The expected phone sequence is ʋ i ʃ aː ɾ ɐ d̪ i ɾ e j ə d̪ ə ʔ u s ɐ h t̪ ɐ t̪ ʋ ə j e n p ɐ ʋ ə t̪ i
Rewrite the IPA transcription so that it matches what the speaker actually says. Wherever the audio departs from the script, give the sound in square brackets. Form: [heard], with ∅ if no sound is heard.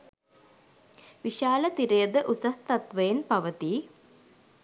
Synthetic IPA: ʋ i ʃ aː [l] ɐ [t̪] i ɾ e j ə d̪ ə ʔ u s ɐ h t̪ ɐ t̪ ʋ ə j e n p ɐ ʋ ə t̪ i